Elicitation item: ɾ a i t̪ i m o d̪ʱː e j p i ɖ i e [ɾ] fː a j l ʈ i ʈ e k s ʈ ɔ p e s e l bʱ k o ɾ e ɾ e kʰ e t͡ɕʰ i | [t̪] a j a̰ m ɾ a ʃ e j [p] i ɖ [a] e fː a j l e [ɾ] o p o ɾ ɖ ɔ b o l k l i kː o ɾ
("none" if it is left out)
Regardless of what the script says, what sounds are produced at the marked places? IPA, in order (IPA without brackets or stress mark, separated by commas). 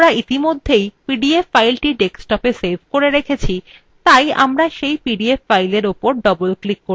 none, t̪, p, i, ɾ